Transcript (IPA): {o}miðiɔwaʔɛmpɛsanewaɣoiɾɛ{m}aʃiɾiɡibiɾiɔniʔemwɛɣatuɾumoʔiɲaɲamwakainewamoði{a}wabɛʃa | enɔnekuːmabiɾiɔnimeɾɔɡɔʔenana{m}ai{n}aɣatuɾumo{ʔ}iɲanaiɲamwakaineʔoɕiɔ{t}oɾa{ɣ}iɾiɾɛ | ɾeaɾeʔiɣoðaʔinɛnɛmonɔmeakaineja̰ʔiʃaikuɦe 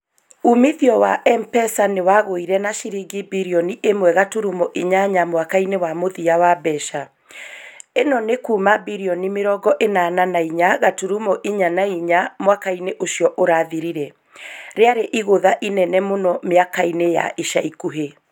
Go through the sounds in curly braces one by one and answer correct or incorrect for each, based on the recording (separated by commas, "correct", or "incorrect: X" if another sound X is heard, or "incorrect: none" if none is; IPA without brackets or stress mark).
incorrect: u, incorrect: n, correct, incorrect: n, incorrect: ɲ, correct, incorrect: ʔ, incorrect: ð